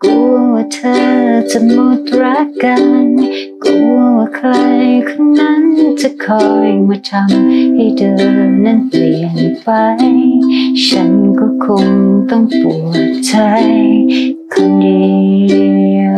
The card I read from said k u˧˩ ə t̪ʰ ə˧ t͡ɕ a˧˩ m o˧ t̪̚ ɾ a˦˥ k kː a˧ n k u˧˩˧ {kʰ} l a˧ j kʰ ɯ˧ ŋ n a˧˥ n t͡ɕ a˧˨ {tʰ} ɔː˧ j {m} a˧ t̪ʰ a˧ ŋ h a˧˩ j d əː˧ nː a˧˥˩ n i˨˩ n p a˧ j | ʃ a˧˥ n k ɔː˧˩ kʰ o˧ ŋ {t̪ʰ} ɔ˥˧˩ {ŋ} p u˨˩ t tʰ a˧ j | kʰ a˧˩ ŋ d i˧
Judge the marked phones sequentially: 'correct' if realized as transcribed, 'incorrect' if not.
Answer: correct, incorrect: kʰ, correct, incorrect: t̪, correct

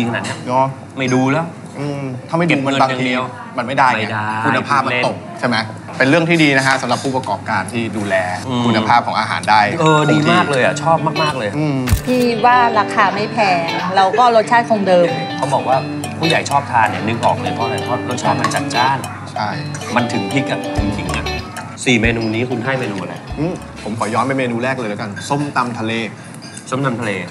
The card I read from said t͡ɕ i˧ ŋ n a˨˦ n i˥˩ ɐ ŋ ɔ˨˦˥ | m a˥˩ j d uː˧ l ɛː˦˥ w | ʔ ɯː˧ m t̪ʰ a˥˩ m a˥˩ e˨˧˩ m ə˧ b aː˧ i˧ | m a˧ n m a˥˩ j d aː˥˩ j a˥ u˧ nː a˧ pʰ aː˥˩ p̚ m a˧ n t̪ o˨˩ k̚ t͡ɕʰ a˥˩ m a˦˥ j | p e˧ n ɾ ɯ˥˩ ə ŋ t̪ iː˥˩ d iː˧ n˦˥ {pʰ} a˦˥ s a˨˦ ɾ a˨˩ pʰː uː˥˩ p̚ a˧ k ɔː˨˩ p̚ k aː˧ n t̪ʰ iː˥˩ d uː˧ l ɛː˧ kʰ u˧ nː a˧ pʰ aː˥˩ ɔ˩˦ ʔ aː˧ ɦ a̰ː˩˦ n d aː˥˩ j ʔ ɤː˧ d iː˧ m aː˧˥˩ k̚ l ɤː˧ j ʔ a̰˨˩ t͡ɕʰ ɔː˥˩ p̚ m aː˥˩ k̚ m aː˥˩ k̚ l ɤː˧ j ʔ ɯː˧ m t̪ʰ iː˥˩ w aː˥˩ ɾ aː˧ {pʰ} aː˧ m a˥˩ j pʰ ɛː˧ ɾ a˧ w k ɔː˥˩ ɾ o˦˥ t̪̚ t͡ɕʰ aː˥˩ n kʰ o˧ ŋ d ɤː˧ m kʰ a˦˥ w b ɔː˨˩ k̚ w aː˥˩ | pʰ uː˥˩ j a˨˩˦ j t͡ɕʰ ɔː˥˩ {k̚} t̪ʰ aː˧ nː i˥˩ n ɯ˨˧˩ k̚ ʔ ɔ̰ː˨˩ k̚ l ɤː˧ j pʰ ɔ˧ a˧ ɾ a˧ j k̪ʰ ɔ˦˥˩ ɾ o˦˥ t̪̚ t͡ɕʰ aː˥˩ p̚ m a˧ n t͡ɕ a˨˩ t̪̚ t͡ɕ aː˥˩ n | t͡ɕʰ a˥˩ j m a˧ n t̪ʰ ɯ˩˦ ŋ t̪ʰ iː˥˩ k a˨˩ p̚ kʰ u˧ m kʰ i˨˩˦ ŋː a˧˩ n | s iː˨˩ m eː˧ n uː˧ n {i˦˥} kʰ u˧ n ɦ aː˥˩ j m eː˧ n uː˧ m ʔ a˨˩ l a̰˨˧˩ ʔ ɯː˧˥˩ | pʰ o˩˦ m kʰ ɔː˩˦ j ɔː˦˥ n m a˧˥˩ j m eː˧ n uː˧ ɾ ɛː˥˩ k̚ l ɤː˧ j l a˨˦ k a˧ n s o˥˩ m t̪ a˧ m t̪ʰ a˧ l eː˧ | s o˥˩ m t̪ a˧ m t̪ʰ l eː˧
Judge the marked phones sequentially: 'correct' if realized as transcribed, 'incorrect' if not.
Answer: incorrect: kʰ, incorrect: kʰ, incorrect: p̚, incorrect: iː˦˥

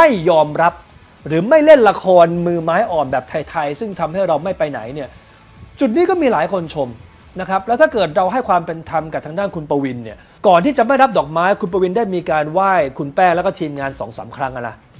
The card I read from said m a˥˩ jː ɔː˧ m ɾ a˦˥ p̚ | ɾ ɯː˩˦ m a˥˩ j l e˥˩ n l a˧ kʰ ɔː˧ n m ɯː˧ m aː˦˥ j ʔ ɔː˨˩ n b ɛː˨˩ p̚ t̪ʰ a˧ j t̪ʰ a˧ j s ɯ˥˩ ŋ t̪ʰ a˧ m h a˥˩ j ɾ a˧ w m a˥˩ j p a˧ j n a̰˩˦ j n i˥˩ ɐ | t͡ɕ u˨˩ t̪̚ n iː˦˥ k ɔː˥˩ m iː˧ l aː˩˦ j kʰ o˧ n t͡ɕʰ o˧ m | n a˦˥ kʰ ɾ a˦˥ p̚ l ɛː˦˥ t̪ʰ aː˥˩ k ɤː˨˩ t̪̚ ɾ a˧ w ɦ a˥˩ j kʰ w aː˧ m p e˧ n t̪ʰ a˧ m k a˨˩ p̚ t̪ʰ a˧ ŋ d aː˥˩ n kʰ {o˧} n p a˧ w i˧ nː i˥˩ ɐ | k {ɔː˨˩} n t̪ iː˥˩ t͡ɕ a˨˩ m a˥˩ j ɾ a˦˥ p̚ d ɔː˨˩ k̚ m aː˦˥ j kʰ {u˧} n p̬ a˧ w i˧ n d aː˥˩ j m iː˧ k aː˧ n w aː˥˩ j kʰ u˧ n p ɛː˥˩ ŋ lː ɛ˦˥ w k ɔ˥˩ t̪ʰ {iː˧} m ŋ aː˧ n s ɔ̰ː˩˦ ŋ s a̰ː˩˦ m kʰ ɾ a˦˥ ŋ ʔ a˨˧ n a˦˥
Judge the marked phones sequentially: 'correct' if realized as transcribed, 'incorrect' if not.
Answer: incorrect: u˧, correct, correct, correct

